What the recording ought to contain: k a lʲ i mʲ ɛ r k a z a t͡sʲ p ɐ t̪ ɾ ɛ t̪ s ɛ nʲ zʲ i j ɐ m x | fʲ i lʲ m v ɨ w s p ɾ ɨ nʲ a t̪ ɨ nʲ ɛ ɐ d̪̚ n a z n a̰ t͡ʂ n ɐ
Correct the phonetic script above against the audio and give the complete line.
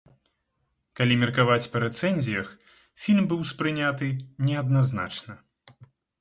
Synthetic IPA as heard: k a lʲ i mʲ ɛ r k a v a t͡sʲ p ɐ ɾ ɛ t̪ s ɛ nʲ zʲ i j ɐ x | fʲ i lʲ m b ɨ w s p ɾ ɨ nʲ a t̪ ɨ nʲ ɛ ɐ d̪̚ n a z n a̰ t͡ʂ n ɐ